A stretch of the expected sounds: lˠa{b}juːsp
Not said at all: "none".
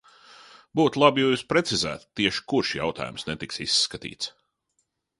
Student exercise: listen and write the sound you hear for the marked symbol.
b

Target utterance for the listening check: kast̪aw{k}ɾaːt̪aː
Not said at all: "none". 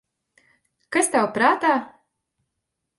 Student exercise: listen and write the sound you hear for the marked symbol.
p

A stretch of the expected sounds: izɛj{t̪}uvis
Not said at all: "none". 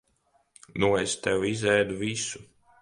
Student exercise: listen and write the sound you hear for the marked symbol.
d̪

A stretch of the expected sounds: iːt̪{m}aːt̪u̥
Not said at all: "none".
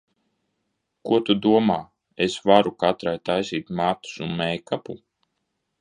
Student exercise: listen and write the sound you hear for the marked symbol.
m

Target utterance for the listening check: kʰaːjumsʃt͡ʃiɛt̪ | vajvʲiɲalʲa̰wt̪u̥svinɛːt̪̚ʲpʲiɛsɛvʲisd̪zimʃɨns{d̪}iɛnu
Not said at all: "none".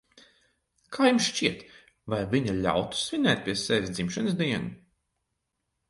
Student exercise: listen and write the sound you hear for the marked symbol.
d̪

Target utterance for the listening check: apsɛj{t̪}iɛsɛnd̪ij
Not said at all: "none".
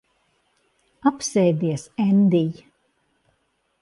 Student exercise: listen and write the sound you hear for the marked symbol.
d̪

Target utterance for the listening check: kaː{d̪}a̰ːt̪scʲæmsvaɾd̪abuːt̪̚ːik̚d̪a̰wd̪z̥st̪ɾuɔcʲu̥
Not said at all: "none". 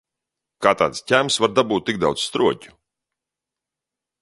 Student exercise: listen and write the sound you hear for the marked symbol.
t̪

